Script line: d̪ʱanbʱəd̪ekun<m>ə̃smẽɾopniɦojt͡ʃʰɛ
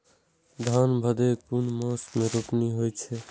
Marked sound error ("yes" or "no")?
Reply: no